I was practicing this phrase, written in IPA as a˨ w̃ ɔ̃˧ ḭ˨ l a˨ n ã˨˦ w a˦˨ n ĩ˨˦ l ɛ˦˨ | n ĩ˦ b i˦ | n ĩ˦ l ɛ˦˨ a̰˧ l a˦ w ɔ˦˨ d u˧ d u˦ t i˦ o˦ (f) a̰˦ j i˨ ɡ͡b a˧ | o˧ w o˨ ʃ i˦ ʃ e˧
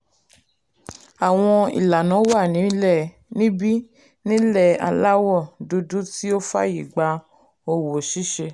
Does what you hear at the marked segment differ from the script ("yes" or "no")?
no